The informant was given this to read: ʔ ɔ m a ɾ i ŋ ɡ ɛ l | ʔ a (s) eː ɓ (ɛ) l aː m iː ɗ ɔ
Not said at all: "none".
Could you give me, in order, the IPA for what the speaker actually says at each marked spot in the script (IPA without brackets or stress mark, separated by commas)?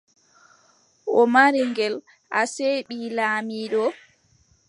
s, i